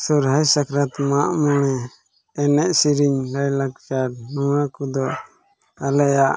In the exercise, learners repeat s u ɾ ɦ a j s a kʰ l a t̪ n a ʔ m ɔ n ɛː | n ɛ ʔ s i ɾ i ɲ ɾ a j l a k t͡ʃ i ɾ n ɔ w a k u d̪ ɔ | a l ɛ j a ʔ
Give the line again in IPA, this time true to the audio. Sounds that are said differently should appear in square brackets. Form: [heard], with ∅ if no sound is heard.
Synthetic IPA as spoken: s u ɾ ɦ a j s a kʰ [ɾ] a t̪ [m] a ʔ m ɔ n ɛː | n ɛ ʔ s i ɾ i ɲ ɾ a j l a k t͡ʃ [a] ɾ n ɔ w a k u d̪ ɔ | a l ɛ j a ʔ